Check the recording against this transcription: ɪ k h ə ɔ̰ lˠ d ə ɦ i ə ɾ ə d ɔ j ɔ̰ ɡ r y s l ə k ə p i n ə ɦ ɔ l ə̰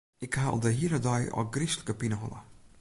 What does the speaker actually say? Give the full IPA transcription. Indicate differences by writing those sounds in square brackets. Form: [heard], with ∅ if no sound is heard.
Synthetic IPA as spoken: ɪ k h [a] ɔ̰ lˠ d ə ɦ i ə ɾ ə d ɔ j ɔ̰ ɡ r [i] s l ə k ə p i n ə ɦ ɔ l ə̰